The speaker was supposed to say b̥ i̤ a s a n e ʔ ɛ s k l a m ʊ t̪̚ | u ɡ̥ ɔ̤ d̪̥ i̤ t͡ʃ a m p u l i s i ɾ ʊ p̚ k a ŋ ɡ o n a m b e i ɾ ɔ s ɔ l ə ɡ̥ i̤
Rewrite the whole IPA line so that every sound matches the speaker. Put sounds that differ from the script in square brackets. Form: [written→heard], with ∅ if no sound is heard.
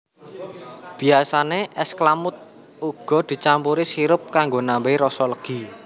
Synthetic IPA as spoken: b̥ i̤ a s a n e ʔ ɛ s k l a m ʊ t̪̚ | u ɡ̥ ɔ̤ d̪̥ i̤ t͡ʃ a m p u [l→ɾ] i s i ɾ ʊ p̚ k a ŋ ɡ o n a m b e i ɾ ɔ s ɔ l ə ɡ̥ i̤